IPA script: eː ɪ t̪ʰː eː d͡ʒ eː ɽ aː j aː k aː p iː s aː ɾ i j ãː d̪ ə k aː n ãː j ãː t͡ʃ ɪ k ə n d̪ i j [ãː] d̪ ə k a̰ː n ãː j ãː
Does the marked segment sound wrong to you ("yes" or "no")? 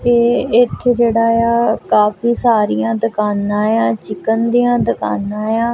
no